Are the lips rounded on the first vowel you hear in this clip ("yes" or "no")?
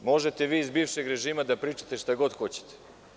yes